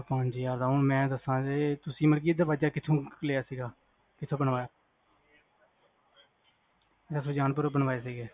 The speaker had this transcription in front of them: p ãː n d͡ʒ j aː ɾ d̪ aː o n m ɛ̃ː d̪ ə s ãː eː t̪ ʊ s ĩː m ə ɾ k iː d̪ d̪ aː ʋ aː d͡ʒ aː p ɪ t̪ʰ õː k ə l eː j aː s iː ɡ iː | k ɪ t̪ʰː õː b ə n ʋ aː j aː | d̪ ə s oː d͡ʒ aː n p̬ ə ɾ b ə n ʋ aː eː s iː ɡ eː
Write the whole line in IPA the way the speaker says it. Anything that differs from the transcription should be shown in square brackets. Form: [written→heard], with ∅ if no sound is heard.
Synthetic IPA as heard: p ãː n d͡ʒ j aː ɾ d̪ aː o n m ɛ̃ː d̪ ə s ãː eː t̪ ʊ s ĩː m ə ɾ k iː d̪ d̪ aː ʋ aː d͡ʒ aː [p→k] ɪ t̪ʰ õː k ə l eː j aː s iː ɡ [iː→aː] | k ɪ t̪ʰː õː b ə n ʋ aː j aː | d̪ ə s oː d͡ʒ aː n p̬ ə ɾ b ə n ʋ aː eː s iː ɡ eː